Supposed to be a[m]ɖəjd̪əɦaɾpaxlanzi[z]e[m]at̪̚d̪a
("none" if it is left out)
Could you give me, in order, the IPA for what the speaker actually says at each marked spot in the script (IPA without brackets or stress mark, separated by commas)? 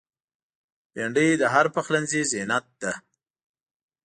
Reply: ɳ, z, n